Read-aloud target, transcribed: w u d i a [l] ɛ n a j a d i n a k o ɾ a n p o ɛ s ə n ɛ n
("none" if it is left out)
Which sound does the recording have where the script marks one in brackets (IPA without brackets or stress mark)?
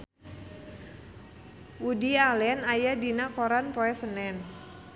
l